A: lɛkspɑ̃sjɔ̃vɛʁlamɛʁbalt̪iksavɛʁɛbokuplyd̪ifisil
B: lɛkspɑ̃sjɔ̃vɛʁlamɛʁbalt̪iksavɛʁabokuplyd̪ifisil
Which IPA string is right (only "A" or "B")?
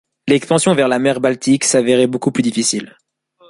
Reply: A